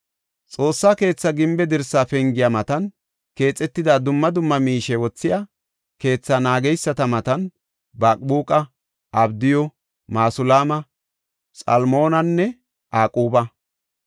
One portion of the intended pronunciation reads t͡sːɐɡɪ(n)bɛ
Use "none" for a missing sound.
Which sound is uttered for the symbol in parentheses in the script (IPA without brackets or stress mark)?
m